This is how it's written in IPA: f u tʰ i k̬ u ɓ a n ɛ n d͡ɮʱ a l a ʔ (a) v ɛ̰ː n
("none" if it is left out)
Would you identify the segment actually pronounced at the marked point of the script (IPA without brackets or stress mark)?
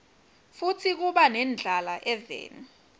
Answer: ɛ